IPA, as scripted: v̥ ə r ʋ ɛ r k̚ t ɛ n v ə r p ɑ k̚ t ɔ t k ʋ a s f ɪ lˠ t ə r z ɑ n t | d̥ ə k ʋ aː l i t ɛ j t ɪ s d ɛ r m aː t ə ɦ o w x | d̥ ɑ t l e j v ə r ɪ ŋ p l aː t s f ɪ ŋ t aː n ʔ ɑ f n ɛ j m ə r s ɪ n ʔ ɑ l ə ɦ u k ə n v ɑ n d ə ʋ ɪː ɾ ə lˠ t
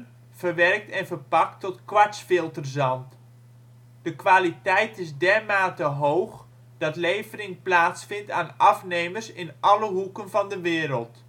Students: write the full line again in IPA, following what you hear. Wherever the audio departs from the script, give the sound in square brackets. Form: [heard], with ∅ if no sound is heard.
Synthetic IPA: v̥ ə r ʋ ɛ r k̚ t ɛ n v ə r p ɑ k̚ t ɔ t k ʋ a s f ɪ lˠ t ə r z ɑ n t | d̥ ə k ʋ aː l i t ɛ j t ɪ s d ɛ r m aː t ə ɦ o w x | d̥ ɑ t l e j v ə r ɪ ŋ p l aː t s f ɪ [n] t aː n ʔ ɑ f n [e] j m ə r s ɪ n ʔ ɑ l ə ɦ u k ə n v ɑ n d ə ʋ ɪː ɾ ə lˠ t